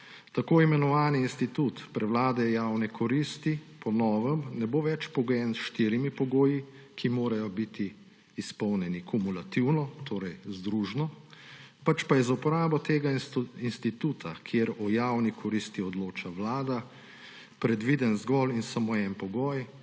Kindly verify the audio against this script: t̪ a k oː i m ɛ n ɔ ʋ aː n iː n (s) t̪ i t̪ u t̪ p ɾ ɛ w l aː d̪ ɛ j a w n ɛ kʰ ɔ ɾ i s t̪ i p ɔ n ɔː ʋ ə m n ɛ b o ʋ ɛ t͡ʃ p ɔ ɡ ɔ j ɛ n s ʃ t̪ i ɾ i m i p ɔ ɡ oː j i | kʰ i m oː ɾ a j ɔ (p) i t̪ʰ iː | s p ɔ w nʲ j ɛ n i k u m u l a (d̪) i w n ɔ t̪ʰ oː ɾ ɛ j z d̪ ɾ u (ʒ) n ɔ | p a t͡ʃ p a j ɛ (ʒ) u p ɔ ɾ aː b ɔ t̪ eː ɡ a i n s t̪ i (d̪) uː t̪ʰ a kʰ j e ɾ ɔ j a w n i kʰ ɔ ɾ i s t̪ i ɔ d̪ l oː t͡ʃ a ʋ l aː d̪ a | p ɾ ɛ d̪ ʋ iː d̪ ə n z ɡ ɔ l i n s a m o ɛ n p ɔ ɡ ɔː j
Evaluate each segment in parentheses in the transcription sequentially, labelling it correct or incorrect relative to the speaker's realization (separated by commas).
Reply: correct, incorrect, incorrect, correct, incorrect, incorrect